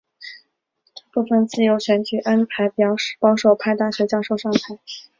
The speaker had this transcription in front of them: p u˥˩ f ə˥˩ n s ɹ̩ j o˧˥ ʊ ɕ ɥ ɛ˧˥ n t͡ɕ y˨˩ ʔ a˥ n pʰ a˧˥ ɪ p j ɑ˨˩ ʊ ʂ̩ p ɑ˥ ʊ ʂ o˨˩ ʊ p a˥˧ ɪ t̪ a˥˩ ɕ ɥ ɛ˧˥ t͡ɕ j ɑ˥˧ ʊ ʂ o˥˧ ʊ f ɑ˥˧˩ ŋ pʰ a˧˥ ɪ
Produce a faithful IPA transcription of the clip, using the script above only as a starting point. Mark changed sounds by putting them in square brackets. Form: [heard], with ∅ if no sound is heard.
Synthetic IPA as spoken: p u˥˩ f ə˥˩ n [t͡s] ɹ̩ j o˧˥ ʊ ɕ ɥ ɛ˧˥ n t͡ɕ y˨˩ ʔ a˥ n pʰ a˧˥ ɪ p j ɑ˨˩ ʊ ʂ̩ p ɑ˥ ʊ ʂ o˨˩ ʊ [pʰ] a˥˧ ɪ t̪ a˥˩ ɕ ɥ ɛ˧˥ t͡ɕ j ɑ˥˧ ʊ ʂ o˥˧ ʊ [ʂ] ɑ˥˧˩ ŋ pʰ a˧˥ ɪ